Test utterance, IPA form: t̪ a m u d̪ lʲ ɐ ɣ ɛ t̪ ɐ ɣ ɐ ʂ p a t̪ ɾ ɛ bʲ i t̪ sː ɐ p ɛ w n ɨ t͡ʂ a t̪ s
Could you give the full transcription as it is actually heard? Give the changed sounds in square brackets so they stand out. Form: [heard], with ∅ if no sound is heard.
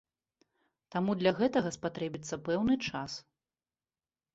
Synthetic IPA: t̪ a m u d̪ lʲ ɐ ɣ ɛ t̪ ɐ ɣ ɐ [s] p a t̪ ɾ ɛ bʲ i t̪ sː ɐ p ɛ w n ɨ t͡ʂ a [∅] s

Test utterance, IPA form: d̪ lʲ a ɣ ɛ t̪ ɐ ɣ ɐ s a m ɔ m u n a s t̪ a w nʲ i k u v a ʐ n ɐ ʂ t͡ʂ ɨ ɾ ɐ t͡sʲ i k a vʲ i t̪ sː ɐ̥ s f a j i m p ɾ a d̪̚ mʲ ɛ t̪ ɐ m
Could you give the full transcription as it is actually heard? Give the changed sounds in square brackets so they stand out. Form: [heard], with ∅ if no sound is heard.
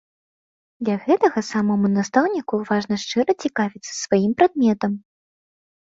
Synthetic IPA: d̪ lʲ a ɣ ɛ t̪ ɐ ɣ ɐ s a m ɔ m u n a s t̪ a w nʲ i k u v a ʐ n ɐ ʂ t͡ʂ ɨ ɾ ɐ t͡sʲ i k a vʲ i t̪ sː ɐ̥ s [v] a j i m p ɾ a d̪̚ mʲ ɛ t̪ ɐ m

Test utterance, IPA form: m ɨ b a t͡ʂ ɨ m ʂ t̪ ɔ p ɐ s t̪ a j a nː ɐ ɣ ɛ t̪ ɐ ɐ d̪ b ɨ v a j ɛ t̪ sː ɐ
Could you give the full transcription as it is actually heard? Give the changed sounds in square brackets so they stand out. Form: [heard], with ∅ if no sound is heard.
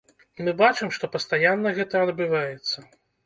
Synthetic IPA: m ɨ b a t͡ʂ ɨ m ʂ t̪ ɔ p ɐ s t̪ a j a nː ɐ ɣ ɛ t̪ ɐ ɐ d̪ b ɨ v a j ɛ t̪ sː ɐ

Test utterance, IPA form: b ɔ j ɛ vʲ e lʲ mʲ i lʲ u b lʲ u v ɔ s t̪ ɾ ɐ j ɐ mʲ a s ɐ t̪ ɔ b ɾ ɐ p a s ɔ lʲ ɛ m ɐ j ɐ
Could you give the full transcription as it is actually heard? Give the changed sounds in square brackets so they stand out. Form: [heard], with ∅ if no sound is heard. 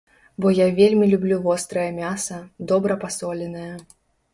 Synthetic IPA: b ɔ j [a] vʲ e lʲ mʲ i lʲ u b lʲ u v ɔ s t̪ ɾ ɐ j ɐ mʲ a s ɐ [d̪] ɔ b ɾ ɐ p a s ɔ lʲ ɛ [n] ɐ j ɐ

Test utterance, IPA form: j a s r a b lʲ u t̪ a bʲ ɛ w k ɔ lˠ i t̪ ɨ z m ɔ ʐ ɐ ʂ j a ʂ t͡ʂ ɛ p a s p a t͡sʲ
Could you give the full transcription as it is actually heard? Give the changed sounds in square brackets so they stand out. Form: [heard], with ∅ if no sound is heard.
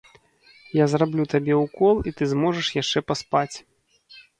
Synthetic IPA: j a [z] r a b lʲ u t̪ a bʲ ɛ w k ɔ lˠ i t̪ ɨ z m ɔ ʐ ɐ ʂ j a ʂ t͡ʂ ɛ p a s p a t͡sʲ

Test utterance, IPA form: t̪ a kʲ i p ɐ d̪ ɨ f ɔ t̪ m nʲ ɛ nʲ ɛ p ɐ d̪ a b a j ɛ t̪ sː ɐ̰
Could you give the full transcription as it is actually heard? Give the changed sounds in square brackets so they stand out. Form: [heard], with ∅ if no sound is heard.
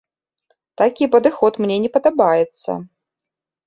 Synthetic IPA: t̪ a kʲ i p ɐ d̪ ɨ [x] ɔ t̪ m nʲ ɛ nʲ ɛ p ɐ d̪ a b a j ɛ t̪ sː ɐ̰

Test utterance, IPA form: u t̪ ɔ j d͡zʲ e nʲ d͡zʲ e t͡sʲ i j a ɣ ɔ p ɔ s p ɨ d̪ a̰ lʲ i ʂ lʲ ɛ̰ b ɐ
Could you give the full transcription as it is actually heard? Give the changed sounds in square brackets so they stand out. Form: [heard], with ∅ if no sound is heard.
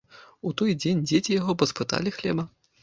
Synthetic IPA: u t̪ ɔ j d͡zʲ e nʲ d͡zʲ e t͡sʲ i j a ɣ ɔ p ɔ s p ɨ [t̪] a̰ lʲ i [x] lʲ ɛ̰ b ɐ

